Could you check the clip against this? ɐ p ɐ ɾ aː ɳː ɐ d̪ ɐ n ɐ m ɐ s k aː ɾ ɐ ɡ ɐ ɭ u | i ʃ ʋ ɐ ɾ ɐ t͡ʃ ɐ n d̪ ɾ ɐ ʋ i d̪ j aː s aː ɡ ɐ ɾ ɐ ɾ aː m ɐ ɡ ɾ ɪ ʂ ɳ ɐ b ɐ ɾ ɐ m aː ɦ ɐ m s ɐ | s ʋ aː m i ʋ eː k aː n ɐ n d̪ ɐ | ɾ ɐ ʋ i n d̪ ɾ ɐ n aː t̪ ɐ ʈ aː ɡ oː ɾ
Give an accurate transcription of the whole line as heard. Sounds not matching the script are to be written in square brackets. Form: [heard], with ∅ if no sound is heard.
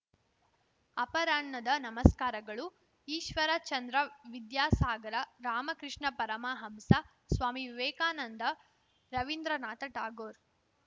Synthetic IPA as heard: ɐ p ɐ ɾ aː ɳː ɐ d̪ ɐ n ɐ m ɐ s k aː ɾ ɐ ɡ ɐ ɭ u | [iː] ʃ ʋ ɐ ɾ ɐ t͡ʃ ɐ n d̪ ɾ ɐ ʋ i d̪ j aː s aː ɡ ɐ ɾ ɐ ɾ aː m ɐ [k] ɾ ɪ ʂ ɳ ɐ [p] ɐ ɾ ɐ m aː ɦ ɐ m s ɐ | s ʋ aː m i ʋ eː k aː n ɐ n d̪ ɐ | ɾ ɐ ʋ i n d̪ ɾ ɐ n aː t̪ ɐ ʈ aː ɡ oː ɾ